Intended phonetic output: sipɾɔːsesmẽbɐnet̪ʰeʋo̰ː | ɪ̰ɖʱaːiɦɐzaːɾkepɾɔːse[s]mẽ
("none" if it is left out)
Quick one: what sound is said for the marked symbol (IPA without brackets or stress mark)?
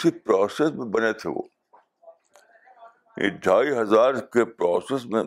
s